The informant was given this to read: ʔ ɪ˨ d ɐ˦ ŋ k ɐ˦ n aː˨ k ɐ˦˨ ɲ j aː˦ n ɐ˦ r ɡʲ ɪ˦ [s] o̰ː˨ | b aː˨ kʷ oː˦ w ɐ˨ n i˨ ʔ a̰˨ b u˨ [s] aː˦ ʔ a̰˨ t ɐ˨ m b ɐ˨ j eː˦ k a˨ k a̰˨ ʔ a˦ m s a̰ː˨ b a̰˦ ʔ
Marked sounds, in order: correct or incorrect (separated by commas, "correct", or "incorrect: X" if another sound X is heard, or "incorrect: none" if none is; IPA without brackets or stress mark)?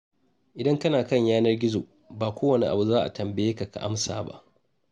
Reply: incorrect: z, incorrect: z